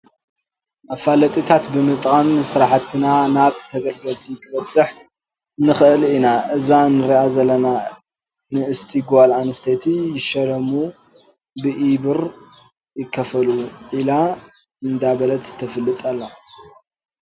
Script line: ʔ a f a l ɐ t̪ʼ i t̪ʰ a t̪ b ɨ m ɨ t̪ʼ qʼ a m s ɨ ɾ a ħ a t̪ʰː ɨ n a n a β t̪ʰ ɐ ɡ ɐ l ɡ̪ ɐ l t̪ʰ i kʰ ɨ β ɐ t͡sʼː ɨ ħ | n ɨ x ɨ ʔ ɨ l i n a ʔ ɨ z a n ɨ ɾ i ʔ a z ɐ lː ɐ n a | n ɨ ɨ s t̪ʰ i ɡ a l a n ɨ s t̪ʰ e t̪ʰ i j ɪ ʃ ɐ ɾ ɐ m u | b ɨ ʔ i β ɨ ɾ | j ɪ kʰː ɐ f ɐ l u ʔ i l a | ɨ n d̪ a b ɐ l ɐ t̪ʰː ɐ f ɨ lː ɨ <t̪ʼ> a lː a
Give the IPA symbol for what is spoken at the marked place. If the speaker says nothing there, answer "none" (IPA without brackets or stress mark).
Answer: t̪ʼ